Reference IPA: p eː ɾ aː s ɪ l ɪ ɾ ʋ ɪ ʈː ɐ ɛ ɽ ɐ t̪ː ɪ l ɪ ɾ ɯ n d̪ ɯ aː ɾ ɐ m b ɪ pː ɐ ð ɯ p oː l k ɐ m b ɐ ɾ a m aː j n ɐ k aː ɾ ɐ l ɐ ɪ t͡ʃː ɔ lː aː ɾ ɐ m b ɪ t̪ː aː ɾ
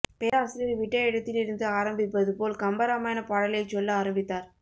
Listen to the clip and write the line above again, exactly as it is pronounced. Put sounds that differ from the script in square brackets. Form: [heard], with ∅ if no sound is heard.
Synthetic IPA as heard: p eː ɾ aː s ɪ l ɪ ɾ ʋ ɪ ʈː ɐ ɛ ɽ ɐ t̪ː ɪ l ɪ ɾ ɯ n d̪ ɯ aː ɾ ɐ m b ɪ pː ɐ ð ɯ p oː l k ɐ m b ɐ ɾ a m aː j n ɐ [p] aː [ɽ] ɐ l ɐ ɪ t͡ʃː ɔ lː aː ɾ ɐ m b ɪ t̪ː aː ɾ